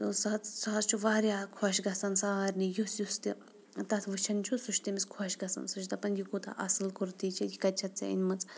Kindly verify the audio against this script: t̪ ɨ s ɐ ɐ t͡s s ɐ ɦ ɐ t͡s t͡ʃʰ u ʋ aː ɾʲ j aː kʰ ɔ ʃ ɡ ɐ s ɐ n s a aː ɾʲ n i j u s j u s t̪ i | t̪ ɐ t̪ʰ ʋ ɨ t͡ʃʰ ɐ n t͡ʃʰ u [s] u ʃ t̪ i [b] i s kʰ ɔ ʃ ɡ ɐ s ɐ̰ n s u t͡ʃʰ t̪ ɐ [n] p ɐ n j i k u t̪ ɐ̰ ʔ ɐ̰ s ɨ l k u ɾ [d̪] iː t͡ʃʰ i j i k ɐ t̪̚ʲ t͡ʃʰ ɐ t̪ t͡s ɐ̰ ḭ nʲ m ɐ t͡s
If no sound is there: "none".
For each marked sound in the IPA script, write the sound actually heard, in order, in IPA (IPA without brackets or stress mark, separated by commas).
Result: s, m, none, t̪